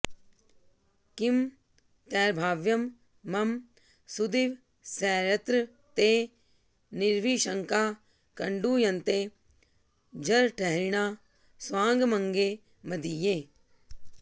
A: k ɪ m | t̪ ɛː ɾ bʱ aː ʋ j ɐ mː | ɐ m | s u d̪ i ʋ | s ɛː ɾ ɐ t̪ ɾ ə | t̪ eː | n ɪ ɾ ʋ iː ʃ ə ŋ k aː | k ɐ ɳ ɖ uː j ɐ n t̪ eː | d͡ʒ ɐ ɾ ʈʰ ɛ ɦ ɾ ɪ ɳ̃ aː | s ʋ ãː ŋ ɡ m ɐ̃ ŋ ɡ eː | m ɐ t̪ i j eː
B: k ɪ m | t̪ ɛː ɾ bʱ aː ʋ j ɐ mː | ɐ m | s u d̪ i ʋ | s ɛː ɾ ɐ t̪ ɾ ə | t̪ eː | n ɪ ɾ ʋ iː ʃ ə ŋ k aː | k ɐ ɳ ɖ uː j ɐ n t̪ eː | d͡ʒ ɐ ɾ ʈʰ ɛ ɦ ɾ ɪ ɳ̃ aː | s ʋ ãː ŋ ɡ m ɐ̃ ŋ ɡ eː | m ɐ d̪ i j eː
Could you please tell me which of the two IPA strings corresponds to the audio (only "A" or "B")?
B